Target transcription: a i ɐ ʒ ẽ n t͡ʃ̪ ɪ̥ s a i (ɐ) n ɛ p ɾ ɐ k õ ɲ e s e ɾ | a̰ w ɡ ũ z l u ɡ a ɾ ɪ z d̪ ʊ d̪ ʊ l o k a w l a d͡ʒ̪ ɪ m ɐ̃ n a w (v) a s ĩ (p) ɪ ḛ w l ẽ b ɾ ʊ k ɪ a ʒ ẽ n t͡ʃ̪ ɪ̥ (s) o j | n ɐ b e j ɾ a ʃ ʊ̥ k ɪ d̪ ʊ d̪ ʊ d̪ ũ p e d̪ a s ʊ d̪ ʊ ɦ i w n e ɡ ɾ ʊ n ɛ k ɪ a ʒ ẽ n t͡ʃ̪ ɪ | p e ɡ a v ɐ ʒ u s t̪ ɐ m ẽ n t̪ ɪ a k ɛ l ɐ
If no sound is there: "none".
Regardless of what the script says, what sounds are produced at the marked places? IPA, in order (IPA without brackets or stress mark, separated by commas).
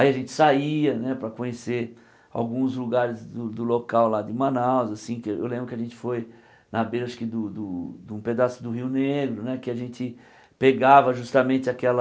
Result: ɐ, z, k, f